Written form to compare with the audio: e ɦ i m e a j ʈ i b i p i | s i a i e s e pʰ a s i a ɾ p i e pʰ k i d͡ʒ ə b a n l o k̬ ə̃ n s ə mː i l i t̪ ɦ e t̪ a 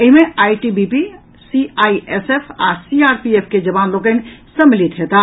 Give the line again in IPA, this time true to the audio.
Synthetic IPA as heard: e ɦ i m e a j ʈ i b i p i | s i a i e s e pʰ a s i a ɾ p i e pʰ k e d͡ʒ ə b a n l o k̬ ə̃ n s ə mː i l i t̪ ɦ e t̪ a